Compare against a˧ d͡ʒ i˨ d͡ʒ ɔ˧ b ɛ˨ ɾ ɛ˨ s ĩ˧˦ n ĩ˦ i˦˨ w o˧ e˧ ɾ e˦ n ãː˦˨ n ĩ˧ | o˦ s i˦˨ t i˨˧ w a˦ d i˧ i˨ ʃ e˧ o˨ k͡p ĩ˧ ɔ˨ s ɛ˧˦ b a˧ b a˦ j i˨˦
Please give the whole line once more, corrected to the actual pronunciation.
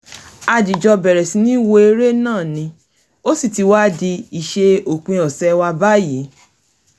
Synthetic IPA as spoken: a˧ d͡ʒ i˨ d͡ʒ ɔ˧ b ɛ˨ ɾ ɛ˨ s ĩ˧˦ n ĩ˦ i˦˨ w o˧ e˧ ɾ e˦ n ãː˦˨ n ĩ˧ | o˦ s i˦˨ t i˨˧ w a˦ d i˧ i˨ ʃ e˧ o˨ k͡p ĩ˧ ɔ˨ s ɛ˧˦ w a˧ b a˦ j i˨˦

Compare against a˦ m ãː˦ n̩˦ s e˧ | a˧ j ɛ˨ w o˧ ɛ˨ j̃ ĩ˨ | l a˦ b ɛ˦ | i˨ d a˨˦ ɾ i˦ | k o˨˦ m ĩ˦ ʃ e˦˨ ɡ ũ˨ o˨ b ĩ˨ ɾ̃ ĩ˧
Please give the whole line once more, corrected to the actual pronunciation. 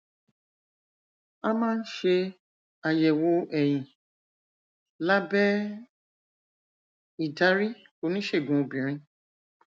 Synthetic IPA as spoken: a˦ m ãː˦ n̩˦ ʃ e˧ | a˧ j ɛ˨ w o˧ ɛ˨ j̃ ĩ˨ | l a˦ b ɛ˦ | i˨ d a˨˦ ɾ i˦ | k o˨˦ n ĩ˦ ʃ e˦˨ ɡ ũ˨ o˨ b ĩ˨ ɾ̃ ĩ˧

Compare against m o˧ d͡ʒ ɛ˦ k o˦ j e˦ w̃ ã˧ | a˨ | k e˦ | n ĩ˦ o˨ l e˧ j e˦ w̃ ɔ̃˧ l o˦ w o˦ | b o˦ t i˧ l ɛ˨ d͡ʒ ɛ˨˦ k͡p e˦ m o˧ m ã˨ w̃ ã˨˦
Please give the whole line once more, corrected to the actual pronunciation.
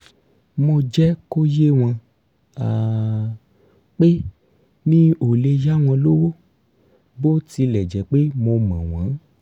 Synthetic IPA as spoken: m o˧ d͡ʒ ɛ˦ k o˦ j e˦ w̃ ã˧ | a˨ | k͡p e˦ | n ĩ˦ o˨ l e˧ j a˦ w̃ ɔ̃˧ l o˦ w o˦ | b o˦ t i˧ l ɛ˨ d͡ʒ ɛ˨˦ k͡p e˦ m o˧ m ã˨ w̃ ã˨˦

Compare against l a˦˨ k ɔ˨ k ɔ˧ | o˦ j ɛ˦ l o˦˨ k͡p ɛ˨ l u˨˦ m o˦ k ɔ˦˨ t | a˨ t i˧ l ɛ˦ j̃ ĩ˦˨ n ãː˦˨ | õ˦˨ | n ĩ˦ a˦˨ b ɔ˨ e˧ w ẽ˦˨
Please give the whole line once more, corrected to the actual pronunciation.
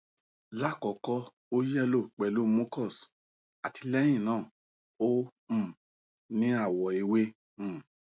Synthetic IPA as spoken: l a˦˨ k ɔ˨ k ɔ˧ | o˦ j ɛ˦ l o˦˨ k͡p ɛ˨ l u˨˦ m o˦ k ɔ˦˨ s | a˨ t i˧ l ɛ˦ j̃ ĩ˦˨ n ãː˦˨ | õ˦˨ | n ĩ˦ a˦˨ w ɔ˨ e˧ w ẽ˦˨

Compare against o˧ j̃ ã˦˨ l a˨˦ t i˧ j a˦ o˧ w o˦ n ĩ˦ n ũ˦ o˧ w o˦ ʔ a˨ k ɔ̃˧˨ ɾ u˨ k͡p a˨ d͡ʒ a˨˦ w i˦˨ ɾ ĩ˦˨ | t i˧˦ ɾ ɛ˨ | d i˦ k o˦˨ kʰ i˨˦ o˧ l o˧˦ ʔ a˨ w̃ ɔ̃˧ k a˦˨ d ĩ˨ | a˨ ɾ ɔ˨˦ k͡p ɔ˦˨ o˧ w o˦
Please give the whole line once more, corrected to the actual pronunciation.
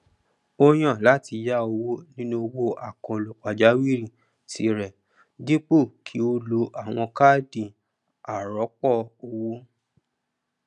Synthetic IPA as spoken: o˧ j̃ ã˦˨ l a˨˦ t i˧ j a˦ o˧ w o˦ n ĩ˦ n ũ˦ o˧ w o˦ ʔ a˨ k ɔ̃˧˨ l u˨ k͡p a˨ d͡ʒ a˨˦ w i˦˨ ɾ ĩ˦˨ | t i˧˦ ɾ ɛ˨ | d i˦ k͡p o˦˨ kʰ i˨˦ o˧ l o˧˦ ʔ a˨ w̃ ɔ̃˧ k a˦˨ d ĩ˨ | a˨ ɾ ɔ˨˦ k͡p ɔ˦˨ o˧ w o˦

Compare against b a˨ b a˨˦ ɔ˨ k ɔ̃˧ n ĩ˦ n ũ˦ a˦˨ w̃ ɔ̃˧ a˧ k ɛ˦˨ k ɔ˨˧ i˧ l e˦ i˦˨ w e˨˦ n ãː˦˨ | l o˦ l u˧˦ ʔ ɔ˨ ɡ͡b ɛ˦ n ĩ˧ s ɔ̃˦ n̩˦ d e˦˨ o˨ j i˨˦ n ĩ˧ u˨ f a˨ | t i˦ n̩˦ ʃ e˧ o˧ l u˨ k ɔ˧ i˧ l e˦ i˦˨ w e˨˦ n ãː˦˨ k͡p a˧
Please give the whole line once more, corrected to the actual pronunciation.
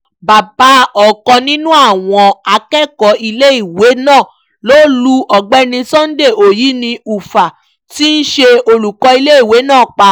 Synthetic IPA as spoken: b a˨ b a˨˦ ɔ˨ k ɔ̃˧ n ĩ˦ n ũ˦ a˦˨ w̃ ɔ̃˧ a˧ k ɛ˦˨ k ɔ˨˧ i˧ l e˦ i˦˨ w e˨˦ n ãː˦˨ | l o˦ l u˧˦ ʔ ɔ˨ ɡ͡b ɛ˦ n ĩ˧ s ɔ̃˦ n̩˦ d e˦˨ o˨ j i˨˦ n ĩ˧ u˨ f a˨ | t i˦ n̩˦ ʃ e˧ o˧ l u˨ k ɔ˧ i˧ l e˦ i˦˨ w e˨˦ n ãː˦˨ k͡p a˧

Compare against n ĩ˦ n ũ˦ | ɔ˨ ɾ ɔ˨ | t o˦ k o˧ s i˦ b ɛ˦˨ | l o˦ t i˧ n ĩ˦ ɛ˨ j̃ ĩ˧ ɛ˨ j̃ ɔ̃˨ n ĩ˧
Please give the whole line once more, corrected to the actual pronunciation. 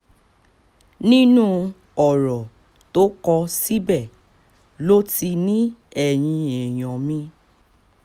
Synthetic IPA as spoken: n ĩ˦ n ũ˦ | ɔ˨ ɾ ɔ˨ | t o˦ k ɔ˧ s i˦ b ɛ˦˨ | l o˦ t i˧ n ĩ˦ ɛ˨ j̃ ĩ˧ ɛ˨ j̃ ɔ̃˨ m ĩ˧

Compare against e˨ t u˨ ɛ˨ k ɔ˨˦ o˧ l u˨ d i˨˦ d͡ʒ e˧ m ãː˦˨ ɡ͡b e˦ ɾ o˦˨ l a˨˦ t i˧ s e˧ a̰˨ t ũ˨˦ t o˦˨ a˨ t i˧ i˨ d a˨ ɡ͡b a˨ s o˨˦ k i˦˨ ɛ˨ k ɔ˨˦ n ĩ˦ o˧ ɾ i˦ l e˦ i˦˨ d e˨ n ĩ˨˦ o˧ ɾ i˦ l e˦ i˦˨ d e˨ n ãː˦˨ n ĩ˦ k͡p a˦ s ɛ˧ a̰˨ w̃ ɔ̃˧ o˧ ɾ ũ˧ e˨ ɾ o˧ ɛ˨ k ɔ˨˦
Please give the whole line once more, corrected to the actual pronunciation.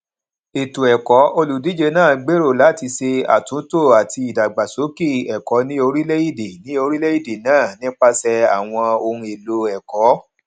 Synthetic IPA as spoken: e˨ t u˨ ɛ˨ k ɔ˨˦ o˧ l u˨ d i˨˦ d͡ʒ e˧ n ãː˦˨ ɡ͡b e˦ ɾ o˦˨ l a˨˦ t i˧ s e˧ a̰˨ t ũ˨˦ t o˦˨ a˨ t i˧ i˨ d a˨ ɡ͡b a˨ s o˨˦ k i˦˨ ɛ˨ k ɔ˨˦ n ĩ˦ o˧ ɾ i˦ l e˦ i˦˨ d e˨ n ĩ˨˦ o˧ ɾ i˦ l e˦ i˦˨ d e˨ n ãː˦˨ n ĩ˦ k͡p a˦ s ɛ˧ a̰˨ w̃ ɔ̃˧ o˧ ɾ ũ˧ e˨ l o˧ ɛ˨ k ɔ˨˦

